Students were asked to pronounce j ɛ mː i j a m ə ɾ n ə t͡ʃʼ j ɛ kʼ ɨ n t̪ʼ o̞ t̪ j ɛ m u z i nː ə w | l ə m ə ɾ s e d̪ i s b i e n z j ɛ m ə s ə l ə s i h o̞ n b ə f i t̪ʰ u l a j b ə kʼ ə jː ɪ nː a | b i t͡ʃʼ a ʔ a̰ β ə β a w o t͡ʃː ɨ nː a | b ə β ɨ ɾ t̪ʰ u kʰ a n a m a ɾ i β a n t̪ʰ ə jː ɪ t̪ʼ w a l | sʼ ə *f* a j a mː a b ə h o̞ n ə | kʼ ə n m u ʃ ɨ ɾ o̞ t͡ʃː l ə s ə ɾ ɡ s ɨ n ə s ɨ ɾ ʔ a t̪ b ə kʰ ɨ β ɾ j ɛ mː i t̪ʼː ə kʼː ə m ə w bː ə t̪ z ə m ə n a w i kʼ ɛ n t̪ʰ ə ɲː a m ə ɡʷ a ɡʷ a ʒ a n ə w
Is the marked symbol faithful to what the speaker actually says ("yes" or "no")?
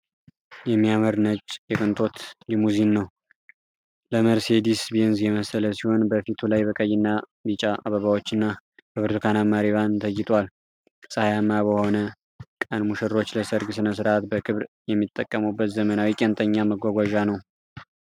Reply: no